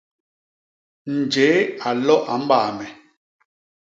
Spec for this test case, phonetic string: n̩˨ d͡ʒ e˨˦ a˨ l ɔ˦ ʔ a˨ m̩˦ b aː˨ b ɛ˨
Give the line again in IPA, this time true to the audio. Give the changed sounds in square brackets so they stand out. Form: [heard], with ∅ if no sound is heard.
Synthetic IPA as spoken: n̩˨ d͡ʒ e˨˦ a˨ l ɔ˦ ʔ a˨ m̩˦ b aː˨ [m] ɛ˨

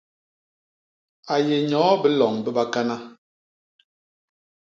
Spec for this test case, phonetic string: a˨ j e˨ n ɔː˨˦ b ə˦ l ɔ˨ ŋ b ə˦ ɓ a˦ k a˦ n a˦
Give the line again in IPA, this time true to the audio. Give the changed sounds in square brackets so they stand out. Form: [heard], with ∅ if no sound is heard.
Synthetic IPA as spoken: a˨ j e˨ [ɲ] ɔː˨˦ b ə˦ l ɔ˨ ŋ b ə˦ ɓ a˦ k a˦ n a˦

